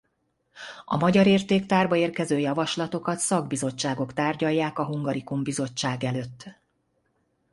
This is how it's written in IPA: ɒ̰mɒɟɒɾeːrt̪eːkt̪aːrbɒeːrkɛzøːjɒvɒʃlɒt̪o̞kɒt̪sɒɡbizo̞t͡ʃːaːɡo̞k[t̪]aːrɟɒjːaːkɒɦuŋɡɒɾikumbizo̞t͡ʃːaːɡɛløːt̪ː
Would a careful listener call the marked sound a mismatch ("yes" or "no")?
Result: no